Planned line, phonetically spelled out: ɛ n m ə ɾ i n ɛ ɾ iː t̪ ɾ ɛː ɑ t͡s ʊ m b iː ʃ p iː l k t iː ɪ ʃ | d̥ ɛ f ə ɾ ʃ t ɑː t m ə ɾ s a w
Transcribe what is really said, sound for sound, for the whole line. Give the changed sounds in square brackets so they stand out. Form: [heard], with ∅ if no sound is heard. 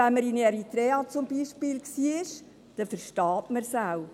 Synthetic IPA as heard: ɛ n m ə ɾ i n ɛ ɾ [i] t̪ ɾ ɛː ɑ t͡s ʊ m b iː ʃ p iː l k [s] iː ɪ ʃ | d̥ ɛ f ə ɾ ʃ t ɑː t m ə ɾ s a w